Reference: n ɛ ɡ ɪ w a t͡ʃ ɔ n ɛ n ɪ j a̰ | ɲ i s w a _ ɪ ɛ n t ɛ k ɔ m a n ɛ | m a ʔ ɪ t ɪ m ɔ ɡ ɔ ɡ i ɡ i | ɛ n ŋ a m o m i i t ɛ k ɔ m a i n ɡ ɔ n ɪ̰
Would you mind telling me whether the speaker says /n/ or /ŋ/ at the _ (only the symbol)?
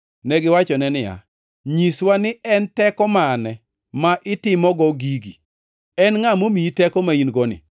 n